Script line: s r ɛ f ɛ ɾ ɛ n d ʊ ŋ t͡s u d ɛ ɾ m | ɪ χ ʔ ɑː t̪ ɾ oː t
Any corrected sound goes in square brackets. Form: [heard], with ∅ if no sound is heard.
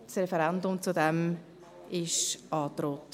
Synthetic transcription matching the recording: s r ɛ f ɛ ɾ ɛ n d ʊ [m] t͡s u d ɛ [∅] m | ɪ [ʃ] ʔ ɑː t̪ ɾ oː t